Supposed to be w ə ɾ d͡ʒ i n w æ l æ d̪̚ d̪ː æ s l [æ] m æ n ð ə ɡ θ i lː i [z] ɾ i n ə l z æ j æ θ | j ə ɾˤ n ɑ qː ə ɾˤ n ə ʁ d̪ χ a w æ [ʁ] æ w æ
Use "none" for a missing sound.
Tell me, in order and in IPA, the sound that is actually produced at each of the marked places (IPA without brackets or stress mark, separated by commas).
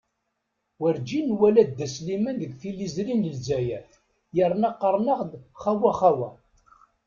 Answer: i, z, χ